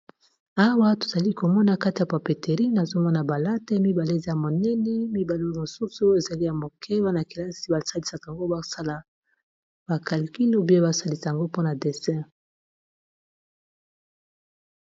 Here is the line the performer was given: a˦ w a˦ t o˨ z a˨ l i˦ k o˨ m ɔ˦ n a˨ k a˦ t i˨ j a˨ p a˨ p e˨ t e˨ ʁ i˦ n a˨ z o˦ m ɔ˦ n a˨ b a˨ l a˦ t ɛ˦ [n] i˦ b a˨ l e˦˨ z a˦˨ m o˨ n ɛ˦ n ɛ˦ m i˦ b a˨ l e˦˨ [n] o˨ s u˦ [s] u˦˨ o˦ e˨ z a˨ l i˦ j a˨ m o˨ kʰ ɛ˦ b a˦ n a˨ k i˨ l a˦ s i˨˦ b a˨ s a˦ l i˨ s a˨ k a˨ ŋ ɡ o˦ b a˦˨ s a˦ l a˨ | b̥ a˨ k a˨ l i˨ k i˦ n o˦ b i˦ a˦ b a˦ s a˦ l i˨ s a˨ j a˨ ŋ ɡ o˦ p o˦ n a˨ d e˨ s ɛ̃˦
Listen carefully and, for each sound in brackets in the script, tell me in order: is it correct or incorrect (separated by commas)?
incorrect, incorrect, correct